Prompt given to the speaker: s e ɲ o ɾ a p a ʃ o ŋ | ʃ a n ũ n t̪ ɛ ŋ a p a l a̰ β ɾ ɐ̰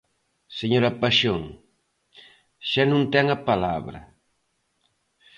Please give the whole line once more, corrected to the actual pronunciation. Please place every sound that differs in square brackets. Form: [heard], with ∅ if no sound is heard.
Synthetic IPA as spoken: s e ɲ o ɾ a p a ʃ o ŋ | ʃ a n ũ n t̪ ɛ ŋ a p a l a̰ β ɾ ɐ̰